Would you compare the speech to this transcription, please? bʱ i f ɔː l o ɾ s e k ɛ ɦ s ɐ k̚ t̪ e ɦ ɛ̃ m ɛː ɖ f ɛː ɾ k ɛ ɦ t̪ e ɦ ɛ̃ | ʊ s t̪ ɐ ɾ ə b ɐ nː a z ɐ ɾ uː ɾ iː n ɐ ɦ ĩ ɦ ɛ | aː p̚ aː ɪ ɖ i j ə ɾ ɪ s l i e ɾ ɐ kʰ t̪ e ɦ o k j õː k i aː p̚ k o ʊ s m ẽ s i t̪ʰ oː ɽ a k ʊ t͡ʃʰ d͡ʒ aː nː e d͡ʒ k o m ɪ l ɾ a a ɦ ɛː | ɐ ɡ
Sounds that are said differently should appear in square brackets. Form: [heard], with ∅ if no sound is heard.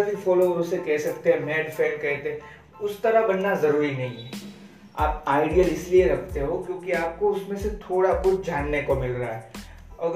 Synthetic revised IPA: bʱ i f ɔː l o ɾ s e k ɛ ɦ s ɐ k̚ t̪ e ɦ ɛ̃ m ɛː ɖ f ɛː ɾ k ɛ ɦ t̪ e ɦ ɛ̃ | ʊ s t̪ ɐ ɾ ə b ɐ nː a z ɐ ɾ uː ɾ [i] n ɐ ɦ ĩ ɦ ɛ | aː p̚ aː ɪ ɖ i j ə [l] ɪ s l i e ɾ ɐ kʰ t̪ e ɦ o k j õː k i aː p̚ k o ʊ s m ẽ s [e] t̪ʰ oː ɽ a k ʊ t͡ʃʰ d͡ʒ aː nː e [∅] k o m ɪ l ɾ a a ɦ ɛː | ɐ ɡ